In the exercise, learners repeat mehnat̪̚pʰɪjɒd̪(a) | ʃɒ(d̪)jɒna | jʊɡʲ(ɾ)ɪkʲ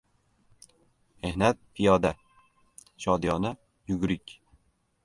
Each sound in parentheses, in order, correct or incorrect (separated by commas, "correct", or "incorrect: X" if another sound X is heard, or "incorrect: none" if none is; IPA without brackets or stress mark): correct, correct, correct